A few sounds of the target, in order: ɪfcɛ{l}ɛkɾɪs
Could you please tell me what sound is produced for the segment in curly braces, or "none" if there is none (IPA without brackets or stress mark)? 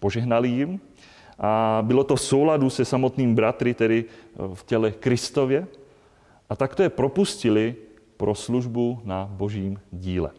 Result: l